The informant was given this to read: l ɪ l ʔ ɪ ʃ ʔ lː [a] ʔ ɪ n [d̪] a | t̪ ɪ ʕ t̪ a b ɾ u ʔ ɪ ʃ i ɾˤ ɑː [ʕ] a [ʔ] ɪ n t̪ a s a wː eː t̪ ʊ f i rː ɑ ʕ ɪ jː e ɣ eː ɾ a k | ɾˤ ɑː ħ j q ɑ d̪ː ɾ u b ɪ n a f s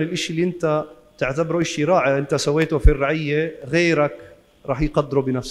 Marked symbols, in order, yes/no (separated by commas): no, no, yes, yes